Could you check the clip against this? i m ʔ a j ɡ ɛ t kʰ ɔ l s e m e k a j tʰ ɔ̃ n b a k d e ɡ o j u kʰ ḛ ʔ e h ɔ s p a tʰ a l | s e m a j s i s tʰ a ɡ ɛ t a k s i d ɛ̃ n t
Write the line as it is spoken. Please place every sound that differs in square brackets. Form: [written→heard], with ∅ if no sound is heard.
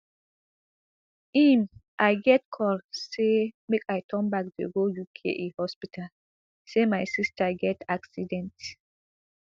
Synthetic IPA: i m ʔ a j ɡ ɛ t kʰ ɔ l s e m e k a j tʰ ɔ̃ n b a k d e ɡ o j u kʰ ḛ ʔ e h ɔ s p [a→i] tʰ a l | s e m a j s i s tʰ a ɡ ɛ t a k s i d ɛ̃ n t